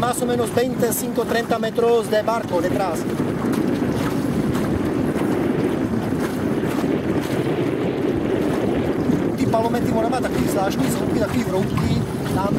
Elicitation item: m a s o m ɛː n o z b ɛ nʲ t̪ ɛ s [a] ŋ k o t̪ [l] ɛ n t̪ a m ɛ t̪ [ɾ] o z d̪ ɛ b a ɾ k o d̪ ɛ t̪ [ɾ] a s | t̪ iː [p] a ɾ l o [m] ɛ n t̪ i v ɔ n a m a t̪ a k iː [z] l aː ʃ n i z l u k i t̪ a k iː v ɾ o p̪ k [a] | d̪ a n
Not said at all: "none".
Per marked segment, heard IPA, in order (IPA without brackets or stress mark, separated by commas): i, ɾ, ɾ, ɾ, p, m, z, i